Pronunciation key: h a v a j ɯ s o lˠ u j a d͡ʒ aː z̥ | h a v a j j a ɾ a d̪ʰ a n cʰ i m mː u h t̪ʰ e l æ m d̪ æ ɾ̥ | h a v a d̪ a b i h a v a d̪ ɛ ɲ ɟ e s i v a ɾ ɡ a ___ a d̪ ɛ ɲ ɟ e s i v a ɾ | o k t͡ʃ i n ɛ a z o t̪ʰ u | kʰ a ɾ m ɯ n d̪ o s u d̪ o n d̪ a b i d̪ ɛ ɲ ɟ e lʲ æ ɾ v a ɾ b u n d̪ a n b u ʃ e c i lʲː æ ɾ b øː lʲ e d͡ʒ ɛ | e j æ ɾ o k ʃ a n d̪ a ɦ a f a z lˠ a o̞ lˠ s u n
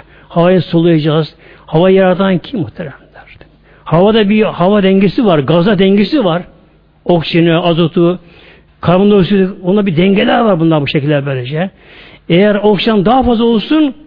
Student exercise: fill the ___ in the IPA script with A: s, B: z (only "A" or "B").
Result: B